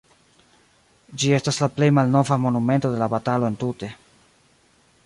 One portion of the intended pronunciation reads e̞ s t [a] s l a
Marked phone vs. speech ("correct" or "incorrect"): correct